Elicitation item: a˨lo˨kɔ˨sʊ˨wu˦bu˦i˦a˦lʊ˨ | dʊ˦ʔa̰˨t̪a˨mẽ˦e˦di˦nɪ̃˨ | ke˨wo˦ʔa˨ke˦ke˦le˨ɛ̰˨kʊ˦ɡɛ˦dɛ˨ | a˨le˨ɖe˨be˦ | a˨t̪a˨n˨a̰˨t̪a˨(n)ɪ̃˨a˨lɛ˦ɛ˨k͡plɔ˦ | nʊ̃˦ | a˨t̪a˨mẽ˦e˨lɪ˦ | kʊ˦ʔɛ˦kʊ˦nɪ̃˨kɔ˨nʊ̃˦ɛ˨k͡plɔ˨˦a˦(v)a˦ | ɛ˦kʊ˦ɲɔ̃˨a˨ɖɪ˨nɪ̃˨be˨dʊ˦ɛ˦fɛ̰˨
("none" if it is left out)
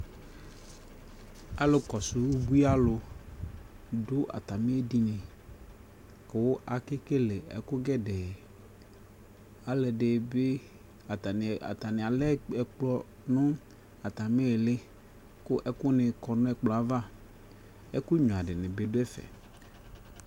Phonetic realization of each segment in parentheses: n, v

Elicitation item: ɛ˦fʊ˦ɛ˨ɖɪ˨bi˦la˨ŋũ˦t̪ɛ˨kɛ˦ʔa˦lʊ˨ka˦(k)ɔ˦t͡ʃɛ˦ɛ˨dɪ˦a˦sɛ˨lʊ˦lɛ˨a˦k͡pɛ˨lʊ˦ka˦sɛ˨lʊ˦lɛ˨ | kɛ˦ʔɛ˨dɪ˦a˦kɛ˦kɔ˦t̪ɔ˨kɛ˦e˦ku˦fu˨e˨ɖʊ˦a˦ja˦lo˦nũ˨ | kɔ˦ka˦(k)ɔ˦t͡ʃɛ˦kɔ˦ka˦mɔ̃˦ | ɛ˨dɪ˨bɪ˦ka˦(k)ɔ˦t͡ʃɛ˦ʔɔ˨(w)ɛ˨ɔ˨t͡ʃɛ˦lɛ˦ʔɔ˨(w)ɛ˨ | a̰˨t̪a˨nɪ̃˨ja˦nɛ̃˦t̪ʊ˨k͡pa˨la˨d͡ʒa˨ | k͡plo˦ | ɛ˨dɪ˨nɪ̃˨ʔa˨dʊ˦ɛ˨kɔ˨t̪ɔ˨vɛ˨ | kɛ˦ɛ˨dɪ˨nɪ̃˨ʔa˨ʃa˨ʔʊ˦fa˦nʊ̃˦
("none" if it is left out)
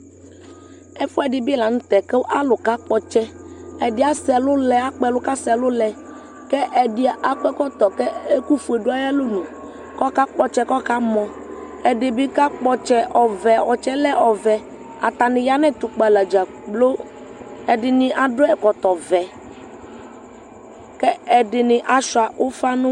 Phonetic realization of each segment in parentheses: k͡p, k͡p, k͡p, v, v

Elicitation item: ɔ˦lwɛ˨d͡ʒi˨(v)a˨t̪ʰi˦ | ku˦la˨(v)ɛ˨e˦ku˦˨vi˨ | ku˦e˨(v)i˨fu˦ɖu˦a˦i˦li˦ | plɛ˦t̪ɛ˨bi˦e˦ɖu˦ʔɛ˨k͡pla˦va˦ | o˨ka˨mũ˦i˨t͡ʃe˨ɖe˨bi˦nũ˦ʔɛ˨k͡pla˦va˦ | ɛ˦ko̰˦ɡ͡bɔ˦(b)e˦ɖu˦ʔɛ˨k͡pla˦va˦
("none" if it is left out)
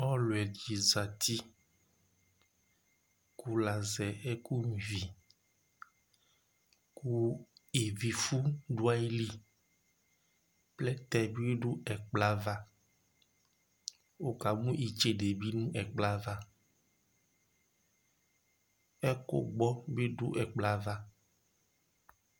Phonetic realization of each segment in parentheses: z, z, v, b

